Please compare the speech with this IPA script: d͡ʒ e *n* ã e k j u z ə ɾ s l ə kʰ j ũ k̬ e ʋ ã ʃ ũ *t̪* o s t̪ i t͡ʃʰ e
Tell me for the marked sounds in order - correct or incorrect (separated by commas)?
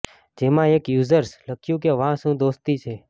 incorrect, incorrect